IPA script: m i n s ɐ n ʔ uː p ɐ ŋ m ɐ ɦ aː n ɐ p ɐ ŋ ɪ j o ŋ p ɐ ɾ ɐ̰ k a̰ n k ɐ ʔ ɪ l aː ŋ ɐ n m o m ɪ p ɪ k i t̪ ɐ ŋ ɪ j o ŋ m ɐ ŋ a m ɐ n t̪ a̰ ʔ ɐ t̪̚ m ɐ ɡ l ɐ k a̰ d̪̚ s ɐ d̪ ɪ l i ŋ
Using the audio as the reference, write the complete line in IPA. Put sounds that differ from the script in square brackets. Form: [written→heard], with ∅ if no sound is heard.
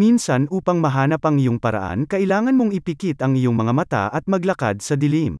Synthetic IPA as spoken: m i n s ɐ n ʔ uː p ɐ ŋ m ɐ ɦ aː n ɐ p ɐ ŋ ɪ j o ŋ p ɐ ɾ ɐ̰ [k→ʔ] a̰ n k ɐ ʔ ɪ l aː ŋ ɐ n m o [m→ŋ] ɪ p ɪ k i t̪ ɐ ŋ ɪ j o ŋ m ɐ ŋ a m ɐ [n→∅] t̪ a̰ ʔ ɐ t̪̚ m ɐ ɡ l ɐ k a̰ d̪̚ s ɐ d̪ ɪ l i [ŋ→m]